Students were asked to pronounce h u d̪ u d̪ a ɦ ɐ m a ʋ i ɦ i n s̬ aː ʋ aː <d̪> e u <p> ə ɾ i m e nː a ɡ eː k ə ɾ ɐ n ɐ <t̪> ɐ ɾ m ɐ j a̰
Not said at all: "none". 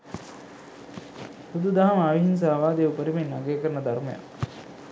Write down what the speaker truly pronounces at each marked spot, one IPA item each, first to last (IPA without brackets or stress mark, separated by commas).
d̪, p, d̪